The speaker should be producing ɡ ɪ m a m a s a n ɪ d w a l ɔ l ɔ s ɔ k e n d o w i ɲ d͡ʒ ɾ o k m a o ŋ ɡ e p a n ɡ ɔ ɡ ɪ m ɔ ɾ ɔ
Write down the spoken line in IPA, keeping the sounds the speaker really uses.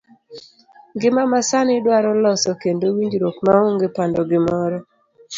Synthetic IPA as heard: ɡ ɪ m a m a s a n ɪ d w a ɾ ɔ l ɔ s ɔ k e n d o w i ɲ d͡ʒ ɾ o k m a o ŋ ɡ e p a n d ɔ ɡ ɪ m ɔ ɾ ɔ